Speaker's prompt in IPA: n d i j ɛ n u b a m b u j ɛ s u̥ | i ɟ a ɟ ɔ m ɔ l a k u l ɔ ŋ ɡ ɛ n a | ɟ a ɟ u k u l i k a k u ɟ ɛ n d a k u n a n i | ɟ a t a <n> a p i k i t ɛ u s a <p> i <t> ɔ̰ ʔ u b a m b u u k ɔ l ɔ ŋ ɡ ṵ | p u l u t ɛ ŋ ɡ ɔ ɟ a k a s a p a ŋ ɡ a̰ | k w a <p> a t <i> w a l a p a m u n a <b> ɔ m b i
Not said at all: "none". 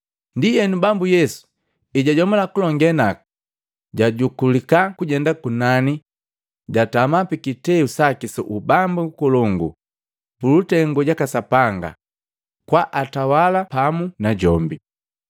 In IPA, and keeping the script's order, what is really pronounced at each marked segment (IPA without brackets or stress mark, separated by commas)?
m, k, s, ʔ, a, ɟ